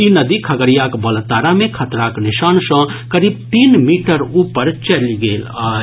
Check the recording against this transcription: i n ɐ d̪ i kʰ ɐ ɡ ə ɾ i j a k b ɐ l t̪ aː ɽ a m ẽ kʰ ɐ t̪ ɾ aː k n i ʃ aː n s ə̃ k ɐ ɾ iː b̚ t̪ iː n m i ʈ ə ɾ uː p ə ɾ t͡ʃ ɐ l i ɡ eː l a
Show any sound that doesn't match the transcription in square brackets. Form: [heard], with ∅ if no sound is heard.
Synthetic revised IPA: i n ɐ d̪ i kʰ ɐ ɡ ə ɾ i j a k b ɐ l t̪ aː [ɾ] a m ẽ kʰ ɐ t̪ ɾ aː k n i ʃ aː n s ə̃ k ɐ ɾ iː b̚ t̪ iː n m i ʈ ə ɾ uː p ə ɾ t͡ʃ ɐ l i ɡ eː l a